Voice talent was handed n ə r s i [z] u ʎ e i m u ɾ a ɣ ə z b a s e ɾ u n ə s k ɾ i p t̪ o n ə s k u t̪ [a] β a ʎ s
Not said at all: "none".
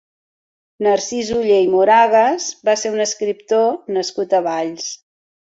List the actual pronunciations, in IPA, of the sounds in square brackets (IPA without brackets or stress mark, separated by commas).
z, ə